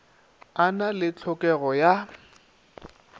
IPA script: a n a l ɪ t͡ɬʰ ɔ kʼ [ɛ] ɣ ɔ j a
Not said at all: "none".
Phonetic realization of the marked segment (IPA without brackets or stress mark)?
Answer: ɛ